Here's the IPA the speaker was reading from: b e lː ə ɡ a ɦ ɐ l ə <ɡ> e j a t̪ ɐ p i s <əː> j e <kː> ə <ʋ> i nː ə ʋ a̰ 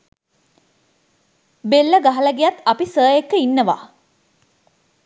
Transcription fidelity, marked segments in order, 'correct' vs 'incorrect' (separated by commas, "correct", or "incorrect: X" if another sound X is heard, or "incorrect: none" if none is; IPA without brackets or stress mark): correct, correct, correct, incorrect: none